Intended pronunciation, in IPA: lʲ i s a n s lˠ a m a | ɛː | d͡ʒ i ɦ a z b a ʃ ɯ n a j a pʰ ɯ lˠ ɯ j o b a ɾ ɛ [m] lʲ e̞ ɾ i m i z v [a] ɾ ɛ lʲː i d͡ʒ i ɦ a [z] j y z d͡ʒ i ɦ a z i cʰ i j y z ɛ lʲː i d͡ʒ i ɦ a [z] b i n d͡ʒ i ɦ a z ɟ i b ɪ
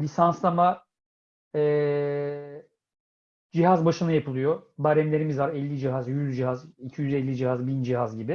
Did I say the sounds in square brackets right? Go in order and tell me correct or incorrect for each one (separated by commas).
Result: correct, correct, correct, correct